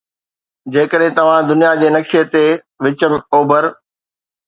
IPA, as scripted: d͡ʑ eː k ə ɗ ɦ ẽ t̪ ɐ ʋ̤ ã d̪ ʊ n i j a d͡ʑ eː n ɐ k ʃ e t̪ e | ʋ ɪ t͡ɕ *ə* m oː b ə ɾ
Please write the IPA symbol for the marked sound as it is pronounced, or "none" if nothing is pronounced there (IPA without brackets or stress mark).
ə